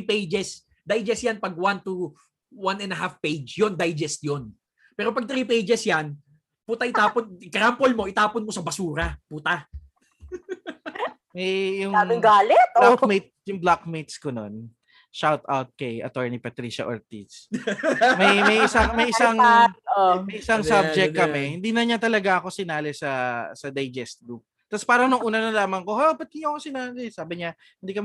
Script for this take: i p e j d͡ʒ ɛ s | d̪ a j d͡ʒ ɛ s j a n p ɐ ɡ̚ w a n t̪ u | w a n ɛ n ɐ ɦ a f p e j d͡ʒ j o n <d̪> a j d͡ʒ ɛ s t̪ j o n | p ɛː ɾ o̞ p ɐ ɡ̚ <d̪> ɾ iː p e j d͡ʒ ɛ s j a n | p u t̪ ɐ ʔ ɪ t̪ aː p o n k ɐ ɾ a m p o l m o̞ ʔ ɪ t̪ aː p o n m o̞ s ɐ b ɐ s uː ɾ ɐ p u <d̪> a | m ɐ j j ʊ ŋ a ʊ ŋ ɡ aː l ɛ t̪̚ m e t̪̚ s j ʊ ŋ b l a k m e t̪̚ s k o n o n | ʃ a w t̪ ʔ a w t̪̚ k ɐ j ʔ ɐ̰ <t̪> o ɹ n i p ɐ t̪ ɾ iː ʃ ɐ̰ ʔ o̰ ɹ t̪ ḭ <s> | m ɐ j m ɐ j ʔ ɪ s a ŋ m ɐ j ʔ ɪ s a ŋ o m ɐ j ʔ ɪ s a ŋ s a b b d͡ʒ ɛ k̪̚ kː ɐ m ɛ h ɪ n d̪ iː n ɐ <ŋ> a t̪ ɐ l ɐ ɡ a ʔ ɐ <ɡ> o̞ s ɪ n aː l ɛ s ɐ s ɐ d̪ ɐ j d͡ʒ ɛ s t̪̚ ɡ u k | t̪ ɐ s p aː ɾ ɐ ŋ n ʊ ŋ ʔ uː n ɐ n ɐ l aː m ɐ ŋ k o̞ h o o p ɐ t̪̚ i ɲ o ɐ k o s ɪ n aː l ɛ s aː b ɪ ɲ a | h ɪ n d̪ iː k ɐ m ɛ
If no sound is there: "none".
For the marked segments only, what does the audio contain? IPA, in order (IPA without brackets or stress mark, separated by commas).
d̪, t̪, t̪, t̪, s, ɲ, k